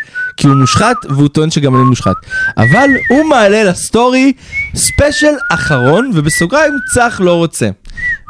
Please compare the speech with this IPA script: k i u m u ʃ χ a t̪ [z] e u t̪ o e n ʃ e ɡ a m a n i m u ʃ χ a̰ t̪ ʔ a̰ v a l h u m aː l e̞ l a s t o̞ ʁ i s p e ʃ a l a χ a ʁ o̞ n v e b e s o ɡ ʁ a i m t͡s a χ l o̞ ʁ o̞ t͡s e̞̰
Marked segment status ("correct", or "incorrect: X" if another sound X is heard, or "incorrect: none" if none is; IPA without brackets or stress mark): incorrect: v